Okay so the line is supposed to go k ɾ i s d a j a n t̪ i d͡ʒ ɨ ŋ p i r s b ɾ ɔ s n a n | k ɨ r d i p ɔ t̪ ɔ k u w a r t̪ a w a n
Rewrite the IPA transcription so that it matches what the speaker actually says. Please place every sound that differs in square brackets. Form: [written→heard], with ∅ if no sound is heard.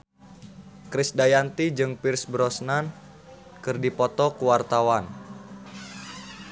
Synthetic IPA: k ɾ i s d a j a n t̪ i d͡ʒ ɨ ŋ p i r s b ɾ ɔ s n a n | k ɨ r d i p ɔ t̪ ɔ k u w a r t̪ a w a n